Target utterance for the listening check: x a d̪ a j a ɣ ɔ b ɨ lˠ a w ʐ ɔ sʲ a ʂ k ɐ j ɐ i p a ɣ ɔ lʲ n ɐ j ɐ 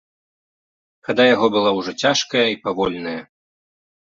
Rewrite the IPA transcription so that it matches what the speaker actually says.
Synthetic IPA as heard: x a d̪ a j a ɣ ɔ b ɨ lˠ a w ʐ ɔ t͡sʲ a ʂ k ɐ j ɐ i p a v ɔ lʲ n ɐ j ɐ